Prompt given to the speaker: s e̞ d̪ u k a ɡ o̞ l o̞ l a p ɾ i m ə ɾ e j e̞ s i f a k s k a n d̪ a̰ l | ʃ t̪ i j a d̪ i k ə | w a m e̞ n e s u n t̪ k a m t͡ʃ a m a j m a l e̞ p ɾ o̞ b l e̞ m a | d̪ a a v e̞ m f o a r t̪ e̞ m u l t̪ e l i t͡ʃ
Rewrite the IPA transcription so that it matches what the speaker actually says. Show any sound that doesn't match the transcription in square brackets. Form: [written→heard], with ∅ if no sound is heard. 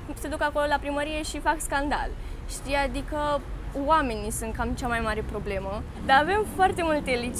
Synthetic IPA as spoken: s e̞ d̪ u k a [ɡ→k] o̞ l o̞ l a p ɾ i m ə ɾ [e→i] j e̞ [s→ʃ] i f a k s k a n d̪ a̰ l | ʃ t̪ i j a d̪ i k ə | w a m e̞ n [e→i] s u n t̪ k a m t͡ʃ a m a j m a [l→ɾ] e̞ p ɾ o̞ b l e̞ m [a→ə] | d̪ a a v e̞ m f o a r t̪ e̞ m u l t̪ e l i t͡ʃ